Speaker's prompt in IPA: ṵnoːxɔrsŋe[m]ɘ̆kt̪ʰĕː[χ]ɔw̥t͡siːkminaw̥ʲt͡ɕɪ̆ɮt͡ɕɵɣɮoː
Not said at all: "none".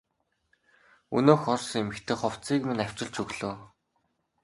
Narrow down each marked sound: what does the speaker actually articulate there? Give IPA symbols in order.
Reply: m, χ

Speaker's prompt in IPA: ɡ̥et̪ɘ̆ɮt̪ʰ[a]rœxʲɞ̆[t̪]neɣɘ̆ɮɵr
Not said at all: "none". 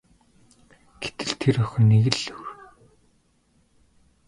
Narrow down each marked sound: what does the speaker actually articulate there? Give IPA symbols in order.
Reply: e, none

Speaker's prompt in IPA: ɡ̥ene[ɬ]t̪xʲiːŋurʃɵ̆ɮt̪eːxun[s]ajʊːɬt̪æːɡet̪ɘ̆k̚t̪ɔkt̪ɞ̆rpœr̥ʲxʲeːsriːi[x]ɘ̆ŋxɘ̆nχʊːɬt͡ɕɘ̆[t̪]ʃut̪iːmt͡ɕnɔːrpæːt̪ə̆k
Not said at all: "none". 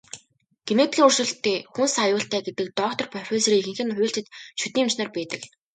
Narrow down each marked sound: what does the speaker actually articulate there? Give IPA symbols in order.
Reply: none, s, x, t̪

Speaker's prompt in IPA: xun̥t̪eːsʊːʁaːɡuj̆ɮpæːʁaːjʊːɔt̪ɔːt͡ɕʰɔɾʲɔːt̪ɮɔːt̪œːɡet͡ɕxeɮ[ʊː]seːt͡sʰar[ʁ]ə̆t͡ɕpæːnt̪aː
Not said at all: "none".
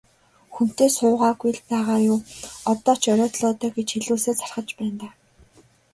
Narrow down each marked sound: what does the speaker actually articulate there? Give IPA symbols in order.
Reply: uː, χ

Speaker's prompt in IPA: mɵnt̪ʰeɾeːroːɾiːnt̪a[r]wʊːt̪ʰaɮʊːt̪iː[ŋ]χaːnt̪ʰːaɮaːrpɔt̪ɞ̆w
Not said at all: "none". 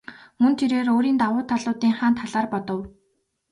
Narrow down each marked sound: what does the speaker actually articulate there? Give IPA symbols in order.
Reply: none, ŋ

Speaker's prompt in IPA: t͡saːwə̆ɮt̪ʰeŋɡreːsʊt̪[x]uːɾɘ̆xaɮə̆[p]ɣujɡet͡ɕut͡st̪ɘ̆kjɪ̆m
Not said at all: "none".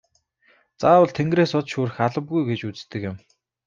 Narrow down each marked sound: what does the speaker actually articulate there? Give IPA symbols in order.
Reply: ʃ, p

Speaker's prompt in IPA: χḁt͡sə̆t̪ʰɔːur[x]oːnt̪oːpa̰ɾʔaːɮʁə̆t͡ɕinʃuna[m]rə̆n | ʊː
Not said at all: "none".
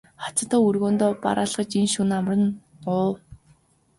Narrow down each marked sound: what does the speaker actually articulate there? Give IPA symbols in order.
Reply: ɣ, m

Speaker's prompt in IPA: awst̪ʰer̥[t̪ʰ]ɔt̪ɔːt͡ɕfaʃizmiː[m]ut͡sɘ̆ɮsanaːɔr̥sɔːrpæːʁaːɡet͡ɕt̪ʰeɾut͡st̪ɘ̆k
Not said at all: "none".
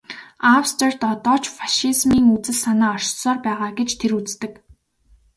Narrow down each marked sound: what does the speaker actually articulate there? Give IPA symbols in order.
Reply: t̪, ŋ

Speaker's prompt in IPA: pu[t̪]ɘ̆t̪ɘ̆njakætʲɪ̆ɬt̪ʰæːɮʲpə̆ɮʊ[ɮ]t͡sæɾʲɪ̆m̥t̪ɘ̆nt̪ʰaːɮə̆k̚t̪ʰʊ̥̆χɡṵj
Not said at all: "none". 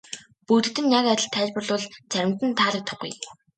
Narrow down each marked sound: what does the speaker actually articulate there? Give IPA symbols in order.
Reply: t̪, ɮ

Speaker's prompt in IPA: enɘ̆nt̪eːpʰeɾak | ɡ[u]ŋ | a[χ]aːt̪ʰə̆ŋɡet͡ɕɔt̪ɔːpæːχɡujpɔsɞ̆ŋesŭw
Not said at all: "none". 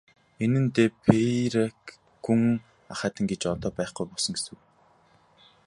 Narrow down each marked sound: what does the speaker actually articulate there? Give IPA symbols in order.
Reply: u, χ

